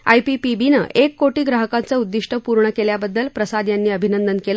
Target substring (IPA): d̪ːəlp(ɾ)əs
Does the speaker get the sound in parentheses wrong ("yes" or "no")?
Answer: no